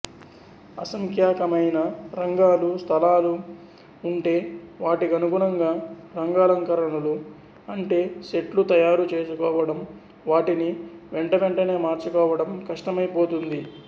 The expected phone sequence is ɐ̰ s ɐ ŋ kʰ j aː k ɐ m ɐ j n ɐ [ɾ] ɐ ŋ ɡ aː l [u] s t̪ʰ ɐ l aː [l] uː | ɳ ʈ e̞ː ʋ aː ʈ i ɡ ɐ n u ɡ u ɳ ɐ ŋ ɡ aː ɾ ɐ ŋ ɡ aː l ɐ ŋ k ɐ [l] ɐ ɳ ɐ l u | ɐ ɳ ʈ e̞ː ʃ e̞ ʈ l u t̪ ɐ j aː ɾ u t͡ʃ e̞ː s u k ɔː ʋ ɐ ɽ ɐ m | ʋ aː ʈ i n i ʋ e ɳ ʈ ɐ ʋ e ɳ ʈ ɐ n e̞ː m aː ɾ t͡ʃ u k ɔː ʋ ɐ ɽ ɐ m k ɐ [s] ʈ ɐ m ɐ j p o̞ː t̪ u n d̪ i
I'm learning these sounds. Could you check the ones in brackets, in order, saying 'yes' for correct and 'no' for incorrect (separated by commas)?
yes, yes, yes, no, no